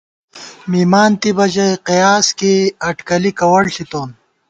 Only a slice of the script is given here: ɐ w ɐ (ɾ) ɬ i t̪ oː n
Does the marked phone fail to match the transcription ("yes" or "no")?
yes